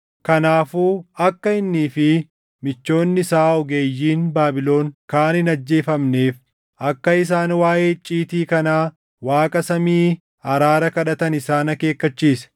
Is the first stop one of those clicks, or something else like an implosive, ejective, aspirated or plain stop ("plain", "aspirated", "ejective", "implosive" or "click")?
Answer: plain